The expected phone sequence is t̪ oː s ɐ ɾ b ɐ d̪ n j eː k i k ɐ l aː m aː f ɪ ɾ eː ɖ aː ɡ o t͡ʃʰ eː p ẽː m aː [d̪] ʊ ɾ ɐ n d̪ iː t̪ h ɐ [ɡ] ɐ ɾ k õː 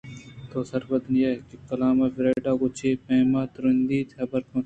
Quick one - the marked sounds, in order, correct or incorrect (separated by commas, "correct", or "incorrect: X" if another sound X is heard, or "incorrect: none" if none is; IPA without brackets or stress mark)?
incorrect: t̪, incorrect: b